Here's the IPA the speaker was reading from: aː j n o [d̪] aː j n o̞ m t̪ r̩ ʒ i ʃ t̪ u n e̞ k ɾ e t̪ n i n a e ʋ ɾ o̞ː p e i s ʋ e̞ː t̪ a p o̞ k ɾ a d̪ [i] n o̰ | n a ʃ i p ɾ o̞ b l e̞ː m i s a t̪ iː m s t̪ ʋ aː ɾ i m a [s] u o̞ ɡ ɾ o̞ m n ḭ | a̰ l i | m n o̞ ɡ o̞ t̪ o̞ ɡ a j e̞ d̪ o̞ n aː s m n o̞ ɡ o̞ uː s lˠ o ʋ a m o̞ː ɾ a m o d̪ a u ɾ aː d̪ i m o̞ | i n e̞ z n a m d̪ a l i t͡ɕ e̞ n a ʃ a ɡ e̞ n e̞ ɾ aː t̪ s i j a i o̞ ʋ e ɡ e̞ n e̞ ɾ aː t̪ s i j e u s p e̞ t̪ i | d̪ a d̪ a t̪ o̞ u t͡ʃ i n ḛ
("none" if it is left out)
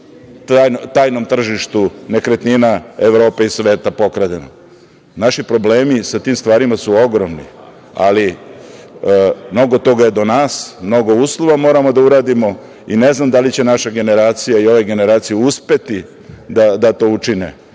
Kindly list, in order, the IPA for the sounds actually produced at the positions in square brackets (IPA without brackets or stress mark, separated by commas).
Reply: t̪, e, s